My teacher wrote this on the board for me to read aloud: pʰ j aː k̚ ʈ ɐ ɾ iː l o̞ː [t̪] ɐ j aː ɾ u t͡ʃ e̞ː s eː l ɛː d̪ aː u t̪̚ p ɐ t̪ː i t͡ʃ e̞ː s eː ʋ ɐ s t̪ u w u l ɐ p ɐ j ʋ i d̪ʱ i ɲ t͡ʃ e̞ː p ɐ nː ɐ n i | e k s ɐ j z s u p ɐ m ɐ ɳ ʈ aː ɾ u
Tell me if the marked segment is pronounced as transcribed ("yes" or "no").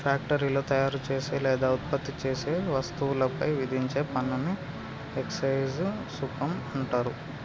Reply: yes